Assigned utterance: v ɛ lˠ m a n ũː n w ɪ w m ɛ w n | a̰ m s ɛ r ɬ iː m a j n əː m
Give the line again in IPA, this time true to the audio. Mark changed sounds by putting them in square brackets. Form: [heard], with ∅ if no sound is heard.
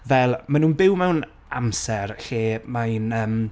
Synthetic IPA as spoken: v ɛ lˠ m a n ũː n [b] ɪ w m ɛ w n | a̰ m s ɛ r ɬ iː m a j n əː m